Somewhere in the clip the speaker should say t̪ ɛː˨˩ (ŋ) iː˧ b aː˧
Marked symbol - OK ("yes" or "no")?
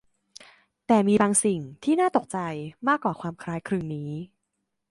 no